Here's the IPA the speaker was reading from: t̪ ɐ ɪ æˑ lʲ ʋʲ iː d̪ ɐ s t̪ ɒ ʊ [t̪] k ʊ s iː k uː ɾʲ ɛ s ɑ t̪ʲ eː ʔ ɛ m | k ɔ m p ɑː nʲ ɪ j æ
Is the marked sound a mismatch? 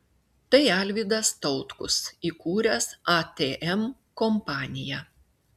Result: no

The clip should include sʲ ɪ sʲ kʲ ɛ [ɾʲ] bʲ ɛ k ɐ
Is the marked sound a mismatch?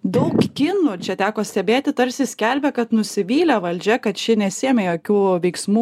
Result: yes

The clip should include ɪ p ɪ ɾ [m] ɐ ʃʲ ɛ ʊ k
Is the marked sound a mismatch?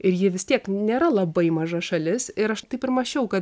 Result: no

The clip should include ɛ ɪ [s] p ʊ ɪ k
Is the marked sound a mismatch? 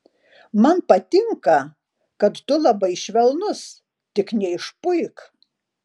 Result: yes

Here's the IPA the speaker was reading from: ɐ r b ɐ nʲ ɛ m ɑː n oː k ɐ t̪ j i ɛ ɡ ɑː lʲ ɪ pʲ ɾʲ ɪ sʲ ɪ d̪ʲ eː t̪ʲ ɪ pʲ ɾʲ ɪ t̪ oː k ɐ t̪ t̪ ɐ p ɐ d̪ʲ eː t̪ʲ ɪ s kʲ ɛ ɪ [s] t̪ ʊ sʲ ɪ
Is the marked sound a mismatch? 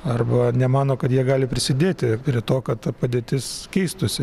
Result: no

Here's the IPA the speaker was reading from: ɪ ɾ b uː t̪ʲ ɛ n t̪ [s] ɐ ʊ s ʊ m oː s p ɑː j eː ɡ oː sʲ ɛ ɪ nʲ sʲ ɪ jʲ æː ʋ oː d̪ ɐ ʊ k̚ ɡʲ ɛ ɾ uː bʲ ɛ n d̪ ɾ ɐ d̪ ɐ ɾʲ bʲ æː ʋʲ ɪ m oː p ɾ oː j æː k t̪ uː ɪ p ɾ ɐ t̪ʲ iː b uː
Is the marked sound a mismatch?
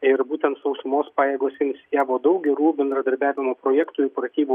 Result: no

